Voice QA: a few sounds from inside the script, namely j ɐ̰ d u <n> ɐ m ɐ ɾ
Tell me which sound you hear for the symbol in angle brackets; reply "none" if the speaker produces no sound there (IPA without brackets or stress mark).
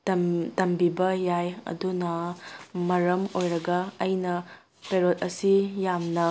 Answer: n